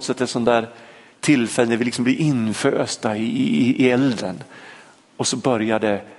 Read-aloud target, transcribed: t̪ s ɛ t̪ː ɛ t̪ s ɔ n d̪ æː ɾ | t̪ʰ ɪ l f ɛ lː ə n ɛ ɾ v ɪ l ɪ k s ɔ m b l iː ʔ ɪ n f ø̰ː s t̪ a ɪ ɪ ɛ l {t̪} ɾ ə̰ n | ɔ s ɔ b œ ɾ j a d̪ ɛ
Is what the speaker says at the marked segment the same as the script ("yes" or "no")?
no